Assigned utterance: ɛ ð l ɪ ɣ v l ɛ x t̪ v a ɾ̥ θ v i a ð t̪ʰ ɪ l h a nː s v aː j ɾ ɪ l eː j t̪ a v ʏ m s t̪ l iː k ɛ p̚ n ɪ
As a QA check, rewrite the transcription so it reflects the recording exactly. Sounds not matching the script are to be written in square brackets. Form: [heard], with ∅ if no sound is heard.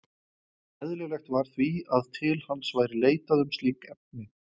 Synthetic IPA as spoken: ɛ ð l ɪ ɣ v l ɛ x t̪ v a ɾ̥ θ v i a ð t̪ʰ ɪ l h a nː s v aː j ɾ ɪ l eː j t̪ a [ð] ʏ m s t̪ l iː k ɛ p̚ n ɪ